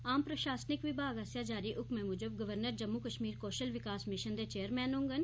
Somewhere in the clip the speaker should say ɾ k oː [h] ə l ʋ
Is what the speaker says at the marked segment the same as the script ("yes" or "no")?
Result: no